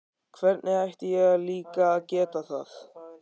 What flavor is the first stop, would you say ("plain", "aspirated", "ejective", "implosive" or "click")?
aspirated